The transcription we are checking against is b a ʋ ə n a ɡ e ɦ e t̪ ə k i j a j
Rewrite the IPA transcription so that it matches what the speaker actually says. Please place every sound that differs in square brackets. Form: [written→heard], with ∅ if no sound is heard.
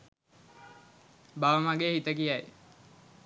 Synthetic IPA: b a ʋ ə [n→m] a ɡ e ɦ [e→i] t̪ ə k i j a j